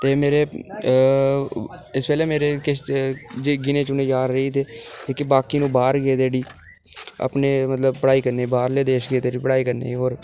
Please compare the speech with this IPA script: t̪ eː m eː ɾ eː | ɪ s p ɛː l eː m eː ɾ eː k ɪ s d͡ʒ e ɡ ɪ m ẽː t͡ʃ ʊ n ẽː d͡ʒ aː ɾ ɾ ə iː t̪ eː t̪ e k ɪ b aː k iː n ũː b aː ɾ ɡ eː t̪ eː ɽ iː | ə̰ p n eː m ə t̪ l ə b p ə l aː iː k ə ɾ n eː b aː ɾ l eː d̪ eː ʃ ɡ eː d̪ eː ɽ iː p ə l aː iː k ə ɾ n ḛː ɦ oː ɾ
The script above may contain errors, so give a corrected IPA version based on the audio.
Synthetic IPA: t̪ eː m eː ɾ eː | ɪ s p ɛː l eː m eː ɾ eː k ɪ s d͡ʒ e ɡ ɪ n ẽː t͡ʃ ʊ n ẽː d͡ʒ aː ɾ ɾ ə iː t̪ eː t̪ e k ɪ b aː k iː n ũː b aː ɾ ɡ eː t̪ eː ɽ iː | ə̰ p n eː m ə t̪ l ə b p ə ɽ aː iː k ə ɾ n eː b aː ɾ l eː d̪ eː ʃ ɡ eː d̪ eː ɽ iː p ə ɽ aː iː k ə ɾ n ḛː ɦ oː ɾ